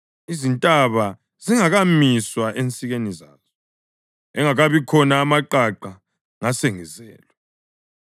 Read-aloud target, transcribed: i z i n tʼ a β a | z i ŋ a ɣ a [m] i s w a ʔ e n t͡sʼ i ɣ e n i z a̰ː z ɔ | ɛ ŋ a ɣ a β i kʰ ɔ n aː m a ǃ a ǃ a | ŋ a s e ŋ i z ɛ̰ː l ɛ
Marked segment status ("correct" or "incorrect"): correct